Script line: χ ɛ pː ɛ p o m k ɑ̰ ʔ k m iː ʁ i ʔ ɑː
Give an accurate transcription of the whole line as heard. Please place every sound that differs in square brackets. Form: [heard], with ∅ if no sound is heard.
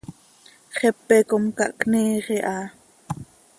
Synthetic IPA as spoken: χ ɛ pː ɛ [k] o m k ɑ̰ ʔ k [n] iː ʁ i ʔ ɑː